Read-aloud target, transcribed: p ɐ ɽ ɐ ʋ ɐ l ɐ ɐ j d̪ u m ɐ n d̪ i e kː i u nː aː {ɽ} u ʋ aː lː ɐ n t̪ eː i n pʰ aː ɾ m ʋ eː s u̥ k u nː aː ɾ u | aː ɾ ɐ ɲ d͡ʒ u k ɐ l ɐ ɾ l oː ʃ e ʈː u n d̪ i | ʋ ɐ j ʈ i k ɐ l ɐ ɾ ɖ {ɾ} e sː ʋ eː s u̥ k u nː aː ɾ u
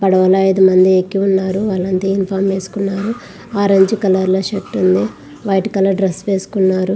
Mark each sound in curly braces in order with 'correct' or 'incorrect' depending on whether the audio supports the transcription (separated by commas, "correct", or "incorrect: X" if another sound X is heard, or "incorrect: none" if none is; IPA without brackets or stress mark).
incorrect: ɾ, correct